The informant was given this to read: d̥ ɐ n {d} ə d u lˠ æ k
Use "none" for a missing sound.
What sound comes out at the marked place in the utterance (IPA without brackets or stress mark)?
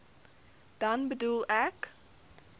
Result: b